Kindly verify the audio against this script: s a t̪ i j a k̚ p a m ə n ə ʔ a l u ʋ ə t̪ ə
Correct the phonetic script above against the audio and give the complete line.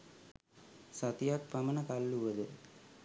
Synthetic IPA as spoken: s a t̪ i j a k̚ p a m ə n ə k a lː u ʋ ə d̪ ə